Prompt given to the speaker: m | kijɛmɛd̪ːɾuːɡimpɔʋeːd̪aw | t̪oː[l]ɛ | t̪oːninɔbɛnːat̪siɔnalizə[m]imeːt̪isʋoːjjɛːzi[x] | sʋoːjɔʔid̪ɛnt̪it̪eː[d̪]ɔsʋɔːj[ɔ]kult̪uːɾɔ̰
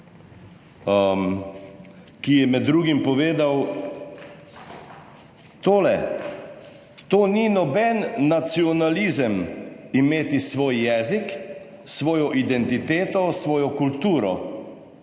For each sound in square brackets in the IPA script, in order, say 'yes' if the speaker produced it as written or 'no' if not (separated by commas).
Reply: yes, yes, no, no, yes